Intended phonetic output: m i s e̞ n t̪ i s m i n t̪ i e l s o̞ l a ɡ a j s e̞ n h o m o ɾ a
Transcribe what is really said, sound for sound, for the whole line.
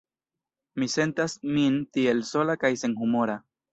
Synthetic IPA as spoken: m i s e̞ n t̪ a s m i n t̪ i e l s o̞ l a k a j s e̞ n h u m o ɾ a

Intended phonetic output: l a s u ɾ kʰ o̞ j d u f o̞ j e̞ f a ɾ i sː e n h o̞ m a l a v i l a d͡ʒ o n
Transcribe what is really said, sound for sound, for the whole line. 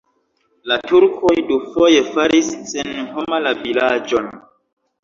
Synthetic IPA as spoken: l a t u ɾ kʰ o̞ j d u f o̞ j e̞ f a ɾ i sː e n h o̞ m a l a v i l a d͡ʒ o n

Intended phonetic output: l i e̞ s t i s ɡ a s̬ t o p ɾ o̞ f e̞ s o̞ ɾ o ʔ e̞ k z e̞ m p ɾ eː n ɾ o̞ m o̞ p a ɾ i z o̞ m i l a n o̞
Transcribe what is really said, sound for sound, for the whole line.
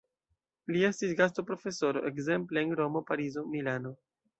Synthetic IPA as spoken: l i e̞ s t i s ɡ a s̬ t o p ɾ o̞ f e̞ s o̞ ɾ o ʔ e̞ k z e̞ m p l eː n ɾ o̞ m o̞ p a ɾ i z o̞ m i l a n o̞

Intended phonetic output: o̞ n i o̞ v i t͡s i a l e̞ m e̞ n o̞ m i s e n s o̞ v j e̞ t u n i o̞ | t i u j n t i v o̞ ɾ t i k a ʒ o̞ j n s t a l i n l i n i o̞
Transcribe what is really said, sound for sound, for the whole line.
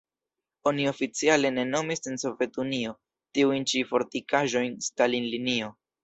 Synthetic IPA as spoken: o̞ n i o̞ f i t͡s i a l e̞ n e̞ n o̞ m i s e n s o̞ v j e̞ t u n i o̞ | t i u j n t͡ʃ i f o̞ ɾ t i k a ʒ o̞ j n s t a l i n l i n i o̞

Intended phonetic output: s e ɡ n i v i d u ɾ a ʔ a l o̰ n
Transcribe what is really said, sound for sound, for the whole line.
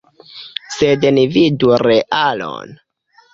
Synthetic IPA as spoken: s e d n i v i d u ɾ e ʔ a l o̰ n

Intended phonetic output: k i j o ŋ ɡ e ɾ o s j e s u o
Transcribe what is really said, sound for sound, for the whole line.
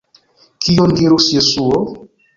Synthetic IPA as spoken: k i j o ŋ ɡ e ɾ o s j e s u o

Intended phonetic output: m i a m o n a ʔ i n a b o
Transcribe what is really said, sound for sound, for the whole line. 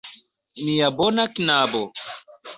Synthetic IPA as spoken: m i a b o n a k i n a b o

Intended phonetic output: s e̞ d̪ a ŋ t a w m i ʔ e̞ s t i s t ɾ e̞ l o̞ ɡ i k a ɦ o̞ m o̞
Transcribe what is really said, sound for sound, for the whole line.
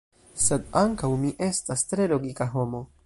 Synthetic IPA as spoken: s e̞ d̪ a ŋ k a w m i ʔ e̞ s t a s t ɾ e̞ l o̞ ɡ i k a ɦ o̞ m o̞

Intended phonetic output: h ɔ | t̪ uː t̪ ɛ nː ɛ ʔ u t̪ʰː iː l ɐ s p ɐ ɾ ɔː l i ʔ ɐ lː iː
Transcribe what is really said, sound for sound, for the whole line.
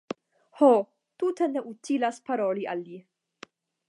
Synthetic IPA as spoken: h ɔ | t̪ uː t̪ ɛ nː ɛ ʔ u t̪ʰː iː l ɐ s p ɐ ɾ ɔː l i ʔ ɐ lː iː

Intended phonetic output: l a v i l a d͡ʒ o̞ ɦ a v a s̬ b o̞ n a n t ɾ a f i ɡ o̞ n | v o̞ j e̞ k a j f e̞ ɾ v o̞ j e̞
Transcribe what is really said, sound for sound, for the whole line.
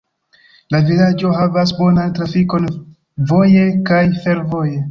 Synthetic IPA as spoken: l a v i l a d͡ʒ o̞ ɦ a v a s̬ b o̞ n a n t ɾ a f i k o̞ n | v o̞ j e̞ k a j f e̞ ɾ v o̞ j e̞

